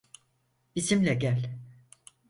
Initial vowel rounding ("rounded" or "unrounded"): unrounded